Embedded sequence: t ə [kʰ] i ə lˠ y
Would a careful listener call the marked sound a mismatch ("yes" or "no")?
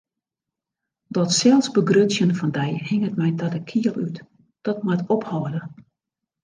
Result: no